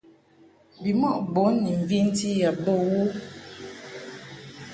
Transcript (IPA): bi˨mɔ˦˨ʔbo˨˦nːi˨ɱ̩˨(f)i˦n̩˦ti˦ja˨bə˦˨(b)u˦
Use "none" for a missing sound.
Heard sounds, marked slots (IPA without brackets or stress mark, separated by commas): v, w